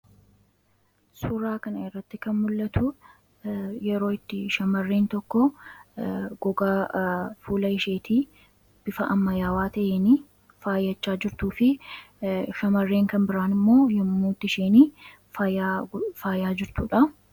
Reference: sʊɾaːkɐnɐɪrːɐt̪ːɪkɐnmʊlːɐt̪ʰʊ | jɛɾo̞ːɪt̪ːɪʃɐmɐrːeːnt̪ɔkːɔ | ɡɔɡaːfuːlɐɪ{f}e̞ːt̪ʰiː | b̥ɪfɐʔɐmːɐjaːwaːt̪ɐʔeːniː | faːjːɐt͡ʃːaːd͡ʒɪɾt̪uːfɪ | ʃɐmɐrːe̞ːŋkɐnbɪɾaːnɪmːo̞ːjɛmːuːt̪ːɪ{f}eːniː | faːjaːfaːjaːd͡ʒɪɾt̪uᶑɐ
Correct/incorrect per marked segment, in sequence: incorrect: ʃ, incorrect: ʃ

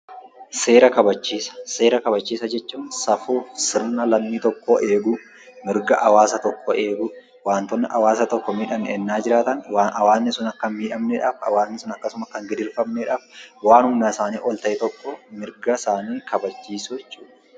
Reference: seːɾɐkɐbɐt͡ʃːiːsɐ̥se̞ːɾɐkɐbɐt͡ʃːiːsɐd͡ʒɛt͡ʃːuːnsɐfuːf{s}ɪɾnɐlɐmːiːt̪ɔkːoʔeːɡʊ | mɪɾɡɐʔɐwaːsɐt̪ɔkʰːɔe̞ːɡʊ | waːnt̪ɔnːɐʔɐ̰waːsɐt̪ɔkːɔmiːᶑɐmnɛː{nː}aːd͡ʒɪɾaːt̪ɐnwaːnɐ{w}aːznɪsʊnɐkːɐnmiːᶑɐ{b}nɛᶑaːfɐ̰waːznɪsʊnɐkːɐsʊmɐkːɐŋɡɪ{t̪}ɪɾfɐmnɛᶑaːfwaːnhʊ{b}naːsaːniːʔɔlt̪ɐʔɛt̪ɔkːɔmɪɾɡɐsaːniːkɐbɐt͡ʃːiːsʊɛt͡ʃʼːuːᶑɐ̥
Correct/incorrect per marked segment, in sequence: correct, correct, correct, incorrect: m, incorrect: d̪, incorrect: m

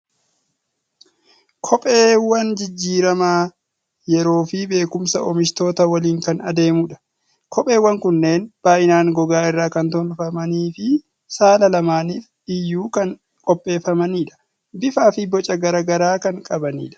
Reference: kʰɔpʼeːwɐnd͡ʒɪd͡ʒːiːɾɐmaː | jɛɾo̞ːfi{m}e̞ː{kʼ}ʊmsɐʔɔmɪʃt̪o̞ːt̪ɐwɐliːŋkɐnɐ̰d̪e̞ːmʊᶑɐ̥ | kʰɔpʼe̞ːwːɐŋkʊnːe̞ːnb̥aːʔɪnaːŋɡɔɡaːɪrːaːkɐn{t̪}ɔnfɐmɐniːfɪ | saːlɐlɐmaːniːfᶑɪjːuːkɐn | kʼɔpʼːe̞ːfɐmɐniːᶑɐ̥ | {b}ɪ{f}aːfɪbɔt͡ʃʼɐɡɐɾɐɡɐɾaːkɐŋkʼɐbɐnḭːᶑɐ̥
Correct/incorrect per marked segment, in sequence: incorrect: b, incorrect: k, correct, correct, correct

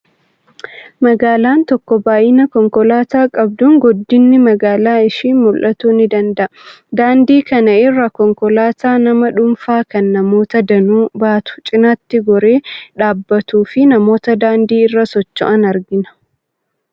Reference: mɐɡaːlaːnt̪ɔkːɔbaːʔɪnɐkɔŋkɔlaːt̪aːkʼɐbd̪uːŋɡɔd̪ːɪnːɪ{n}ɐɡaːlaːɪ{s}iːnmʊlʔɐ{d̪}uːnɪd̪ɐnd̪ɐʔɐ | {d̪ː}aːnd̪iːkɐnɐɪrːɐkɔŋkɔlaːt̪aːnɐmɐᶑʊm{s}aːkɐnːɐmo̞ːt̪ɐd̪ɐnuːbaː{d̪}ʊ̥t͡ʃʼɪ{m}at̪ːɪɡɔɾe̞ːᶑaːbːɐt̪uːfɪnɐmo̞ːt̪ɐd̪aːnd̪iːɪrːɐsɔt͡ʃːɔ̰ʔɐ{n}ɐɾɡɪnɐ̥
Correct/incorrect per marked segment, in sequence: incorrect: m, incorrect: ʃ, incorrect: t̪, incorrect: d̪, incorrect: f, incorrect: t̪, incorrect: n, correct

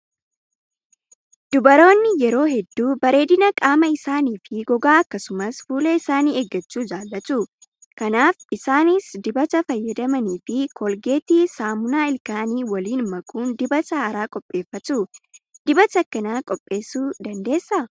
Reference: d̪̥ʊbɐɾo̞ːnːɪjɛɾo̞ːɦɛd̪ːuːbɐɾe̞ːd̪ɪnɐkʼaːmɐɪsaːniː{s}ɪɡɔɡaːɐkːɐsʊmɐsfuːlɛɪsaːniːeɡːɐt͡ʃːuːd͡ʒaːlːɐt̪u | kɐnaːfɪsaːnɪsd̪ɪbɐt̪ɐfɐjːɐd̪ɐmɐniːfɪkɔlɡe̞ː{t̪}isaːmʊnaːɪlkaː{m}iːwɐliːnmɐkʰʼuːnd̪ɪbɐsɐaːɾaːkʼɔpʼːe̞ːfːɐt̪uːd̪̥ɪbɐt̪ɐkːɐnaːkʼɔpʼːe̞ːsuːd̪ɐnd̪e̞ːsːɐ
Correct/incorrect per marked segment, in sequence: incorrect: f, correct, incorrect: n

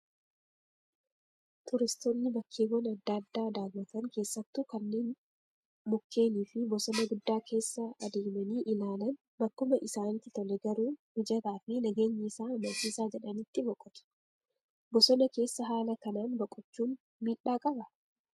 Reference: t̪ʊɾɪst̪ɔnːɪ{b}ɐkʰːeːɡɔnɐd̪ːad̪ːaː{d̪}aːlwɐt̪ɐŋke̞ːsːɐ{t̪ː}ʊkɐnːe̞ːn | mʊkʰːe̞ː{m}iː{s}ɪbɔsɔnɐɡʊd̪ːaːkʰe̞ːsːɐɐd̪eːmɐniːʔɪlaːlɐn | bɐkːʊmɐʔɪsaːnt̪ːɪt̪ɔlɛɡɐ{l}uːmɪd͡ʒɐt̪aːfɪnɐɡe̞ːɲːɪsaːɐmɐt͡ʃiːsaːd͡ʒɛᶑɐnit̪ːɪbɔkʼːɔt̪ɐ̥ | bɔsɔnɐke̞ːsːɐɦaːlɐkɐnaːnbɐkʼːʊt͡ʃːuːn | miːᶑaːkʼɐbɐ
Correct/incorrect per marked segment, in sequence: correct, correct, correct, incorrect: n, incorrect: f, incorrect: ɾ

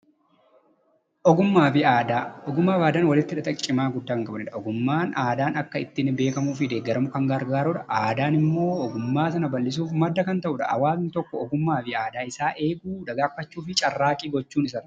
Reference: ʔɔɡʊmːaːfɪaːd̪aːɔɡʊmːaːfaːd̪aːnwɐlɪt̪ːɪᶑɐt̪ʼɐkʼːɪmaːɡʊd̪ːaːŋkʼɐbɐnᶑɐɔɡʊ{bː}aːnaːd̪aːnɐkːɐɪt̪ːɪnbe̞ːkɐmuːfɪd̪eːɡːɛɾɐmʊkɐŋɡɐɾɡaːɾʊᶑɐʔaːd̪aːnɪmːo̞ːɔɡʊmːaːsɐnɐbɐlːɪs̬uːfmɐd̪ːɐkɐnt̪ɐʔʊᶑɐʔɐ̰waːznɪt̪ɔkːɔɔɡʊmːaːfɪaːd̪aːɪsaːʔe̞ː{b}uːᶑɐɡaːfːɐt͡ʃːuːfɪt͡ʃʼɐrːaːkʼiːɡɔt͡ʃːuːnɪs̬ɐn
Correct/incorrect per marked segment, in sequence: incorrect: mː, incorrect: ɡ

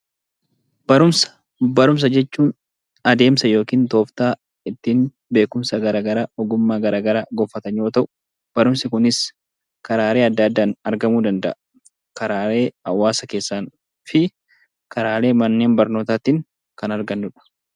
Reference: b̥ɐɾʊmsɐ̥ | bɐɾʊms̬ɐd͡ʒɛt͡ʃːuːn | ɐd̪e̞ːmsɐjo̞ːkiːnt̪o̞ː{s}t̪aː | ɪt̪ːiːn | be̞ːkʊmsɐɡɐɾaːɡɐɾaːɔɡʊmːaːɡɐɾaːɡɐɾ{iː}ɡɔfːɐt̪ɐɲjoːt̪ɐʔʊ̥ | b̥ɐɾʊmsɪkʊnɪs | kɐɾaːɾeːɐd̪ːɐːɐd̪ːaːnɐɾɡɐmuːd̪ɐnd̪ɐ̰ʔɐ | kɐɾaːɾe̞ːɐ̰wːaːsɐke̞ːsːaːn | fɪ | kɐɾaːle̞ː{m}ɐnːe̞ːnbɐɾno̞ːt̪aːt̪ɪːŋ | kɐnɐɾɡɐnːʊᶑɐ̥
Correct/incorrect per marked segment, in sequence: incorrect: f, incorrect: aː, correct

